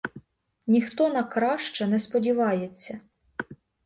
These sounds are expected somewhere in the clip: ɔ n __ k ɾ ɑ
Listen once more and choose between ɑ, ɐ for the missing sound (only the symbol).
ɐ